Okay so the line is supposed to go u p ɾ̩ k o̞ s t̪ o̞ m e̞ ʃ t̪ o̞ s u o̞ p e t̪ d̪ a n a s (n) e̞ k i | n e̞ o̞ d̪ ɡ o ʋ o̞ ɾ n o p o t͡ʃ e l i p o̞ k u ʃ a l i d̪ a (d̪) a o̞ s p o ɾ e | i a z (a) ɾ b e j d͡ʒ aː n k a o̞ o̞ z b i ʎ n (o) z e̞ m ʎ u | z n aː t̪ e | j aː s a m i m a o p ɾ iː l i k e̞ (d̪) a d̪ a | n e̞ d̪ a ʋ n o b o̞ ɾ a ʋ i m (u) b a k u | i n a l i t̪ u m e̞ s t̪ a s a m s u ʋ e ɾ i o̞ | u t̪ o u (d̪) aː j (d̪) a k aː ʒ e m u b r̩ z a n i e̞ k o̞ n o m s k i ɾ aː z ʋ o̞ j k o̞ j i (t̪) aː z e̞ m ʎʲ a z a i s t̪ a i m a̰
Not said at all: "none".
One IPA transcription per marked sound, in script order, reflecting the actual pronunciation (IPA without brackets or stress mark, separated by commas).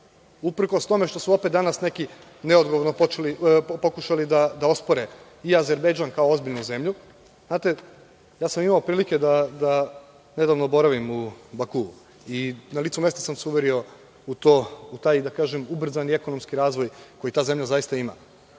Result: n, d̪, e, u, d̪, u, t̪, d̪, t̪